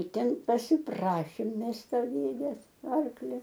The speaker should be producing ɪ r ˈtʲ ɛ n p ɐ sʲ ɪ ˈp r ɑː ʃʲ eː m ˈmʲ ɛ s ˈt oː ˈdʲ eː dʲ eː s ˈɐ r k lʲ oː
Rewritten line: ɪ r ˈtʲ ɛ n p ɐ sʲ ɪ ˈp r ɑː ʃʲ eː m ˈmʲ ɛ s ˈt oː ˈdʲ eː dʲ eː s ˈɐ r k lʲ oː